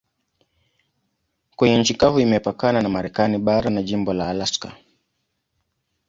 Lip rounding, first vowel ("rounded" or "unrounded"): unrounded